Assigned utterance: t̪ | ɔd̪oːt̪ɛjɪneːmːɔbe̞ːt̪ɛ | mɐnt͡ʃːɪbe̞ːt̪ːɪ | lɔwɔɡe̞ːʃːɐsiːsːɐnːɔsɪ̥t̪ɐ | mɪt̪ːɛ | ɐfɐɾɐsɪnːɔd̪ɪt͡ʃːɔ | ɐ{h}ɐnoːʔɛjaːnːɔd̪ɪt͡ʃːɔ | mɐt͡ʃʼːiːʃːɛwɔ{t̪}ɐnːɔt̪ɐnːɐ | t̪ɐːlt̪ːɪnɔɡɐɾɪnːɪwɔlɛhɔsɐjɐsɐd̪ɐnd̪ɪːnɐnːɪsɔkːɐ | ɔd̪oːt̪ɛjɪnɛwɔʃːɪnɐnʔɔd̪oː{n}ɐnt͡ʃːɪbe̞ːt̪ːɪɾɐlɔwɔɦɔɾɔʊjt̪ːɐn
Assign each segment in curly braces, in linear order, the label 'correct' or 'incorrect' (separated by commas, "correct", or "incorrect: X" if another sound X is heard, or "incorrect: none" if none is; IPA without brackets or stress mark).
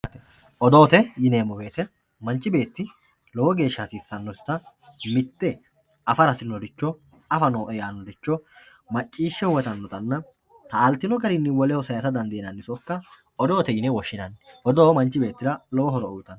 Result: incorrect: f, correct, incorrect: m